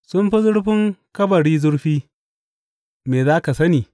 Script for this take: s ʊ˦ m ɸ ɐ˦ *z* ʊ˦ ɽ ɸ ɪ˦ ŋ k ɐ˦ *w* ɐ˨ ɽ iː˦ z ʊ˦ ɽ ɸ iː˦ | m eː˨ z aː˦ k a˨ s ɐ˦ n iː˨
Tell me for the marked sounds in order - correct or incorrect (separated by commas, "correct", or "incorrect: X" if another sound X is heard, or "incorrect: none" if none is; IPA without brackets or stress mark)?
correct, incorrect: b